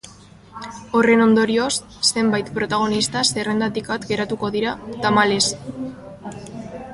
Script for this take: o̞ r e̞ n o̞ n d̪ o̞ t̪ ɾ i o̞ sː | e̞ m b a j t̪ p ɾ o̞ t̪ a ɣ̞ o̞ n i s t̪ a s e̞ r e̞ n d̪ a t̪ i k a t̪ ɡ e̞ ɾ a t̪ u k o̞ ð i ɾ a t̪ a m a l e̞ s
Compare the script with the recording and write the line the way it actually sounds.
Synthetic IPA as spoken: o̞ r e̞ n o̞ n d̪ o̞ ɾ i o̞ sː | e̞ m b a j t̪ p ɾ o̞ t̪ a ɣ̞ o̞ n i s t̪ a s e̞ r e̞ n d̪ a t̪ i k a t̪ ɡ e̞ ɾ a t̪ u k o̞ ð i ɾ a t̪ a m a l e̞ s

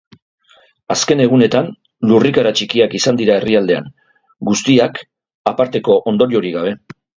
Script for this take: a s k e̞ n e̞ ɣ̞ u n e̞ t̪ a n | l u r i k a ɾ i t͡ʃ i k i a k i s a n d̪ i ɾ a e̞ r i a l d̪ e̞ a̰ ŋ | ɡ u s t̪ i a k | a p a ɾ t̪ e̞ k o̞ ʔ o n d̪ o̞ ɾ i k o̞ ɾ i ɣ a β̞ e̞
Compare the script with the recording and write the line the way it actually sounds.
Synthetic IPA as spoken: a s k e̞ n e̞ ɣ̞ u n e̞ t̪ a n | l u r i k a ɾ a t͡ʃ i k i a k i s a n d̪ i ɾ a e̞ r i a l d̪ e̞ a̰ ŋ | ɡ u s t̪ i a k | a p a ɾ t̪ e̞ k o̞ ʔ o n d̪ o̞ ɾ i o̞ ɾ i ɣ a β̞ e̞

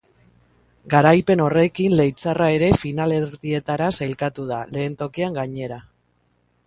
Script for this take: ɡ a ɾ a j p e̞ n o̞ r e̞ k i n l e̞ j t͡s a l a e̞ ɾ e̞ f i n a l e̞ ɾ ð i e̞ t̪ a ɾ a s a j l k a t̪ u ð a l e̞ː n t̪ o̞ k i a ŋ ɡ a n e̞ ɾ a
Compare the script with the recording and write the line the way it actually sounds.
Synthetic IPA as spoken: ɡ a ɾ a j p e̞ n o̞ r e̞ k i n l e̞ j t͡s a r a e̞ ɾ e̞ f i n a l e̞ ɾ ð i e̞ t̪ a ɾ a s a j l k a t̪ u ð a l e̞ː n t̪ o̞ k i a ŋ ɡ a ɲ e̞ ɾ a

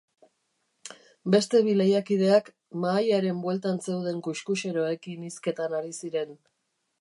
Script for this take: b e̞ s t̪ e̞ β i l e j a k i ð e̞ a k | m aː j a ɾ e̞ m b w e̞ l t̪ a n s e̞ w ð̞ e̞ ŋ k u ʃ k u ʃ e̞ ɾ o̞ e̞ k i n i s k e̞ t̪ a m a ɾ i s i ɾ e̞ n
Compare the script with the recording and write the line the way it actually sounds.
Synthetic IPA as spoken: b e̞ s t̪ e̞ β i l e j a k i ð e̞ a k | m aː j a ɾ e̞ m b w e̞ l t̪ a n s e̞ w ð̞ e̞ ŋ k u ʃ k u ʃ e̞ ɾ o̞ e̞ k i n i s k e̞ t̪ a n a ɾ i s i ɾ e̞ n

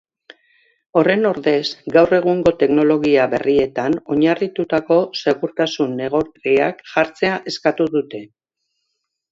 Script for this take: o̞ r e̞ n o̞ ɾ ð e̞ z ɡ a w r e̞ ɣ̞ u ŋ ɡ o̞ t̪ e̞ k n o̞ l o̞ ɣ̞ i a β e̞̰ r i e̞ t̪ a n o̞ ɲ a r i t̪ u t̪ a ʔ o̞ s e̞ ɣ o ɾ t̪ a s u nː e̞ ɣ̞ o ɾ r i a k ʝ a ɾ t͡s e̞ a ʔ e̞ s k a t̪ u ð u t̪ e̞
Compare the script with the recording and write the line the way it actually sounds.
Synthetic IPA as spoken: o̞ r e̞ n o̞ ɾ ð e̞ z ɡ a w r e̞ ɣ̞ u ŋ ɡ o̞ t̪ e̞ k n o̞ l o̞ ɣ̞ i a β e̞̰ r i e̞ t̪ a n o̞ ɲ a r i t̪ u t̪ a k o̞ s e̞ ɣ u ɾ t̪ a s u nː e̞ ɣ̞ o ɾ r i a k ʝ a ɾ t͡s e̞ a ʔ e̞ s k a t̪ u ð u t̪ e̞

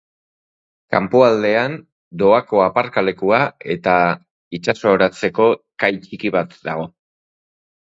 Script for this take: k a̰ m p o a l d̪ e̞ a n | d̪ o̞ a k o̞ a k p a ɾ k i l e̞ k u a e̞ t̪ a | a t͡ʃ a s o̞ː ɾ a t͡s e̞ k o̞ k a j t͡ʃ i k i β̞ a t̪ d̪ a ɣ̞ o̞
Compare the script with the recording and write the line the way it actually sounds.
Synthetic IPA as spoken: k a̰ m p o a l d̪ e̞ a n | d̪ o̞ a k o̞ a p a ɾ k a l e̞ k u a e̞ t̪ a | i t͡ʃ a s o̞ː ɾ a t͡s e̞ k o̞ k a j t͡ʃ i k i β̞ a t̪ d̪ a ɣ̞ o̞

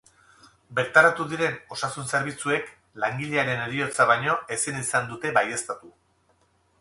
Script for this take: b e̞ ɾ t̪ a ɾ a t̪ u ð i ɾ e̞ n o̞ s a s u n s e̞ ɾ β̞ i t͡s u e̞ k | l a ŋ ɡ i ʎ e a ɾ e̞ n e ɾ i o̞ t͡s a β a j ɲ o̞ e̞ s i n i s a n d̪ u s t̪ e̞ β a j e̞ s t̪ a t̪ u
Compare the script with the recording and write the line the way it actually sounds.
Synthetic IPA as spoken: b e̞ ɾ t̪ a ɾ a t̪ u ð i ɾ e̞ n o̞ s a s u n s e̞ ɾ β̞ i t͡s u e̞ k | l a ŋ ɡ i ʎ e a ɾ e̞ n e ɾ i o̞ t͡s a β a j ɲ o̞ e̞ s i n i s a n d̪ u t̪ e̞ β a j e̞ s t̪ a t̪ u

